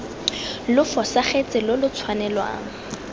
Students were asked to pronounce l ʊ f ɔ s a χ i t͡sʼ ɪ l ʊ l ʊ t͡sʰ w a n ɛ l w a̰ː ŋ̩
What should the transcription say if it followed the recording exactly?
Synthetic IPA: l ʊ f ɔ s a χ e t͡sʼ ɪ l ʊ l ʊ t͡sʰ w a n ɛ l w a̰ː ŋ̩